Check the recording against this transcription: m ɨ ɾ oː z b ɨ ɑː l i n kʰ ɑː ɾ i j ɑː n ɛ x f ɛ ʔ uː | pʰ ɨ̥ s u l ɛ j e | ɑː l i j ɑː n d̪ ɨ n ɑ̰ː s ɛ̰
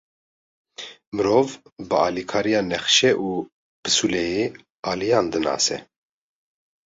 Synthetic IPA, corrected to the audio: m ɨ ɾ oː v b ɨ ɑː l i kʰ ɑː ɾ i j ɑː n ɛ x ʃ ɛ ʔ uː | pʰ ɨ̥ s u l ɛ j e | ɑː l i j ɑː n d̪ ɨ n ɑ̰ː s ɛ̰